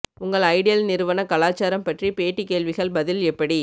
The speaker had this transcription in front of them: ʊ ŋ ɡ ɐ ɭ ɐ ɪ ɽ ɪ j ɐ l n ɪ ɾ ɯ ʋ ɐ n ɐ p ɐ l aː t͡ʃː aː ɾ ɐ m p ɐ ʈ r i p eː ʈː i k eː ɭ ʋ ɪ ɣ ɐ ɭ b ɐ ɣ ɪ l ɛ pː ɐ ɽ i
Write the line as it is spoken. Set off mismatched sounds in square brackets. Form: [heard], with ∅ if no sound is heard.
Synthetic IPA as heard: ʊ ŋ ɡ ɐ ɭ ɐ ɪ ɽ ɪ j ɐ l n ɪ ɾ ɯ ʋ ɐ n ɐ [k] ɐ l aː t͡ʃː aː ɾ ɐ m p ɐ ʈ r i p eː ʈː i k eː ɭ ʋ ɪ ɣ ɐ ɭ b ɐ [ð] ɪ l ɛ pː ɐ ɽ i

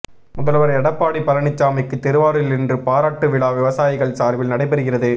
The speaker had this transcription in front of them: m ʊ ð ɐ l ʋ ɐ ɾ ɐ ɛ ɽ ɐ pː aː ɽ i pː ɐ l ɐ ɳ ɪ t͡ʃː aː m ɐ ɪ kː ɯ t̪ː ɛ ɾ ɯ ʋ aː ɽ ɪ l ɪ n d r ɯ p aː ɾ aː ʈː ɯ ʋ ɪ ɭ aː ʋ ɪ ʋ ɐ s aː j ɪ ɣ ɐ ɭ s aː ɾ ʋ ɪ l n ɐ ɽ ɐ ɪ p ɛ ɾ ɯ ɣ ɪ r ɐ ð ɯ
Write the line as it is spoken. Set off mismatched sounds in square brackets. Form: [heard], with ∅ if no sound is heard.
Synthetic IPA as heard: m ʊ ð ɐ l ʋ ɐ ɾ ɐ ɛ ɽ ɐ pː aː ɽ i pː ɐ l ɐ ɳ ɪ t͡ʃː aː m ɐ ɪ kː ɯ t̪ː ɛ ɾ ɯ ʋ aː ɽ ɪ l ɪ n d r ɯ p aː ɾ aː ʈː ɯ ʋ ɪ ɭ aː ʋ ɪ ʋ ɐ s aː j ɪ ɣ ɐ ɭ s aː ɾ ʋ ɪ l n ɐ ɽ ɐ ɪ p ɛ ɾ ɯ ɣ ɪ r ɐ ð ɯ

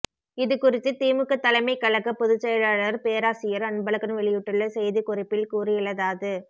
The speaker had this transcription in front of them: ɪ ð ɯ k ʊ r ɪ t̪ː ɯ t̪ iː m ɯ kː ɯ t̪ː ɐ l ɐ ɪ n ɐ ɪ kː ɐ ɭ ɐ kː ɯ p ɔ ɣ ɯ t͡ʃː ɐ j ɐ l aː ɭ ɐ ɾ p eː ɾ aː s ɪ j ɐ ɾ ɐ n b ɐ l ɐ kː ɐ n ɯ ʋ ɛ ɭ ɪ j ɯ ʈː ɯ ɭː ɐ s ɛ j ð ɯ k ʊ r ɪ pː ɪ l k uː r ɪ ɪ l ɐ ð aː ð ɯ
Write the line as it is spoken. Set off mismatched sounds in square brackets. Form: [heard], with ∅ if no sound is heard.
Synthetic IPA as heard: ɪ ð ɯ k ʊ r ɪ t̪ː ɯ t̪ iː m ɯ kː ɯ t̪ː ɐ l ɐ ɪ [m] ɐ ɪ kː ɐ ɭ ɐ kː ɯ p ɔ [ð] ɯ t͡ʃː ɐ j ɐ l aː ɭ ɐ ɾ p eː ɾ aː s ɪ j ɐ ɾ ɐ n b ɐ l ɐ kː ɐ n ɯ ʋ ɛ ɭ ɪ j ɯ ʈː ɯ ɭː ɐ s ɛ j ð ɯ k ʊ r ɪ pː ɪ l k uː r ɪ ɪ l ɐ ð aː ð ɯ

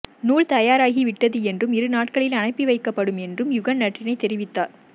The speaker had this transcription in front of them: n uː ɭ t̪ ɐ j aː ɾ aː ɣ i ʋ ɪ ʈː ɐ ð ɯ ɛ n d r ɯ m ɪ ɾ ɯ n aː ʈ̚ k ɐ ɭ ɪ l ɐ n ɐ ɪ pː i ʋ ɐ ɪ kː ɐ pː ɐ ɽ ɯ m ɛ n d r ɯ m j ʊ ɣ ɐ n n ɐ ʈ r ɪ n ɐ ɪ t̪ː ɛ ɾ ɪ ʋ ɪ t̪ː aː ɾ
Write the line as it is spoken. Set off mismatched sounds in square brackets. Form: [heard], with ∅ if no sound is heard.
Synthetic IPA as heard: n uː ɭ t̪ ɐ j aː ɾ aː ɣ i ʋ ɪ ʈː ɐ ð ɯ ɛ n d r ɯ m ɪ ɾ ɯ n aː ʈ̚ k ɐ ɭ ɪ l ɐ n ɐ ɪ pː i ʋ ɐ ɪ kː ɐ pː ɐ ɽ ɯ m ɛ n d r ɯ m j ʊ ɣ ɐ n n ɐ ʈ r ɪ n ɐ ɪ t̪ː ɛ ɾ ɪ ʋ ɪ t̪ː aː ɾ

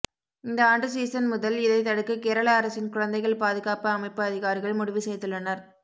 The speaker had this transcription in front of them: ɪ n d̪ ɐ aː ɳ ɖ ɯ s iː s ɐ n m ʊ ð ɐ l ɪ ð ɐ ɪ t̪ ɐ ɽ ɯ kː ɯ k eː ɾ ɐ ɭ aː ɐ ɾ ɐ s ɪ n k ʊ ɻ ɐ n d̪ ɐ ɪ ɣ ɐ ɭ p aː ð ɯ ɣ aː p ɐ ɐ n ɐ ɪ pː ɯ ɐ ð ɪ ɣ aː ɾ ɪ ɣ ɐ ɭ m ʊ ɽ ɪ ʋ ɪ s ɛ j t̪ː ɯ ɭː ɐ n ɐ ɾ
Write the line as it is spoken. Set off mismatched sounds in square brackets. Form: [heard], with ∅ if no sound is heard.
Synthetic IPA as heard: ɪ n d̪ ɐ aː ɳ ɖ ɯ s iː s ɐ n m ʊ ð ɐ l ɪ ð ɐ ɪ t̪ ɐ ɽ ɯ kː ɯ k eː ɾ ɐ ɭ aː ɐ ɾ ɐ s ɪ n k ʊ ɻ ɐ n d̪ ɐ ɪ ɣ ɐ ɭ p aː ð ɯ ɣ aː p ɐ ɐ [m] ɐ ɪ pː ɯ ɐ ð ɪ ɣ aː ɾ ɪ ɣ ɐ ɭ m ʊ ɽ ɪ ʋ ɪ s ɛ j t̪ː ɯ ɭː ɐ n ɐ ɾ

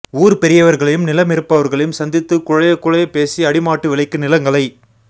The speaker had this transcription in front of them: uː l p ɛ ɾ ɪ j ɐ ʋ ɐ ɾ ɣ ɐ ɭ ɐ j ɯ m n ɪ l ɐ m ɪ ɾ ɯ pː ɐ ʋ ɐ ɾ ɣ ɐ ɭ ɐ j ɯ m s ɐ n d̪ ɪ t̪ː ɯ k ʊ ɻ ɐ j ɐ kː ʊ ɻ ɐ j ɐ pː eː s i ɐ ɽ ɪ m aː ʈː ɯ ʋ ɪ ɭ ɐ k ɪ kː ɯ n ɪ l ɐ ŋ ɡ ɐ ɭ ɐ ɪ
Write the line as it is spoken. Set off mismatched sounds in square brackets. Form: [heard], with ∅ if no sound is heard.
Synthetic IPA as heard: uː [ɾ] p ɛ ɾ ɪ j ɐ ʋ ɐ ɾ ɣ ɐ ɭ ɐ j ɯ m n ɪ l ɐ m ɪ ɾ ɯ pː ɐ ʋ ɐ ɾ ɣ ɐ ɭ ɐ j ɯ m s ɐ n d̪ ɪ t̪ː ɯ k ʊ ɻ ɐ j ɐ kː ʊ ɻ ɐ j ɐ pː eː s i ɐ ɽ ɪ m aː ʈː ɯ ʋ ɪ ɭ ɐ [∅] ɪ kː ɯ n ɪ l ɐ ŋ ɡ ɐ ɭ ɐ ɪ

